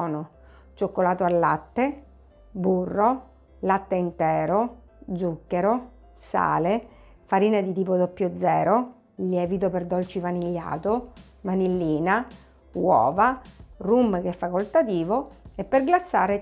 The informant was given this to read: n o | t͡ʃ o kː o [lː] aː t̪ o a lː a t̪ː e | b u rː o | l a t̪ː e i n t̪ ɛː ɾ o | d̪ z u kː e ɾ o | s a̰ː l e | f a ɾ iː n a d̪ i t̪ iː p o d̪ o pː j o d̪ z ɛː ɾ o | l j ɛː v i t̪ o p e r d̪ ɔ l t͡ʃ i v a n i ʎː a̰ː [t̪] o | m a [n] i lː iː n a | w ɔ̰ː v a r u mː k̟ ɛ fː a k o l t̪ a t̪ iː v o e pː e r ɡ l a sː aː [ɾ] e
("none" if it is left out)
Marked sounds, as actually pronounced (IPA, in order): l, t̪, n, ɾ

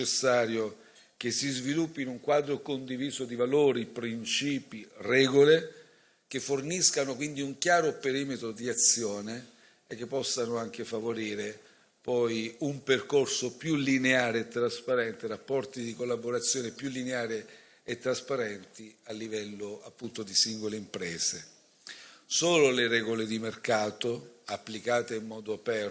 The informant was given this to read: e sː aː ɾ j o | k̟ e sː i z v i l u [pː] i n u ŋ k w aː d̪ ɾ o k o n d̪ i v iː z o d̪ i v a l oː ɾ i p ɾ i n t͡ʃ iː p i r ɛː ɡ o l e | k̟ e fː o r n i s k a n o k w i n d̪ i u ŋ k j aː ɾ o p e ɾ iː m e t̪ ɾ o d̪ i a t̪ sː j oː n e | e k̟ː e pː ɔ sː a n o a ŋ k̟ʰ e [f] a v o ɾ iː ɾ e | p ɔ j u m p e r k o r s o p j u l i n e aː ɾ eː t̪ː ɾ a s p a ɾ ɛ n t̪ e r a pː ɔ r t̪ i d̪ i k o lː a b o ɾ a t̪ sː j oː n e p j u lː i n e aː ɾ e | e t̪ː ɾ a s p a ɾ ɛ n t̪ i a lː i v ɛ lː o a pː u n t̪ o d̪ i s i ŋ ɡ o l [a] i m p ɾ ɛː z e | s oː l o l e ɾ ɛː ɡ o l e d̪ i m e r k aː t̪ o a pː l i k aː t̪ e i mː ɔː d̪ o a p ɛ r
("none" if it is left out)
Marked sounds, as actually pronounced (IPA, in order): pː, f, e

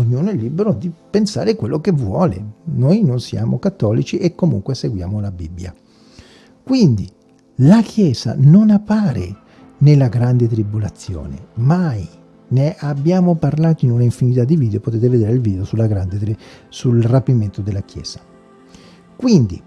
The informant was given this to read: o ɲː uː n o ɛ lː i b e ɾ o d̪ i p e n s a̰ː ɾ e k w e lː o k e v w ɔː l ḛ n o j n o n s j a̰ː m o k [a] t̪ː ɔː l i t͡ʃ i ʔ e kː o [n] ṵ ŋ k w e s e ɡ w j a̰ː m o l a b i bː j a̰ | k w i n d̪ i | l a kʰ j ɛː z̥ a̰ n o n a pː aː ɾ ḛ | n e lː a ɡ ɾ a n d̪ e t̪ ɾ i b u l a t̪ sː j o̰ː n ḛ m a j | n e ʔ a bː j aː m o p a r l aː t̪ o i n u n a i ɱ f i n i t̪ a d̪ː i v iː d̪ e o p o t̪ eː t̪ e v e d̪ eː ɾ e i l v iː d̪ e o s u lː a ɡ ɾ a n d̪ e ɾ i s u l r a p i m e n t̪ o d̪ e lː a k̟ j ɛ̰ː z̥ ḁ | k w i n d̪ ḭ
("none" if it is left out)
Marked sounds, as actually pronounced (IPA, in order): a, m

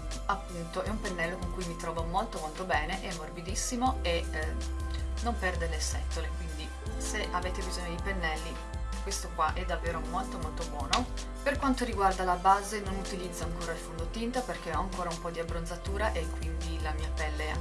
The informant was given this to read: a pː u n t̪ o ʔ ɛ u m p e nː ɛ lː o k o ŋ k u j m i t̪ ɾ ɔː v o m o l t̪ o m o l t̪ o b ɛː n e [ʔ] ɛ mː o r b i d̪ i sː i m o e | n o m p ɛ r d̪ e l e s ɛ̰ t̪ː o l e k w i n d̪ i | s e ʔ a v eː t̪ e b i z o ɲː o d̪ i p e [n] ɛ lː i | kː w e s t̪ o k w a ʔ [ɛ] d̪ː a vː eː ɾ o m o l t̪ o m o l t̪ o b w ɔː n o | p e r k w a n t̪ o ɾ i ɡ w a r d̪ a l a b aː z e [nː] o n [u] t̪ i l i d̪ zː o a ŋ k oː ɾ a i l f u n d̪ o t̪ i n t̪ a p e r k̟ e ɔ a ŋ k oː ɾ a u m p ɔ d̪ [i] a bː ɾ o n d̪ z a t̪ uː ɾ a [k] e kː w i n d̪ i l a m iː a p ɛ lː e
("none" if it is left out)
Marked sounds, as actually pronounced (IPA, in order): ʔ, nː, ɛ, n, u, i, ʔ

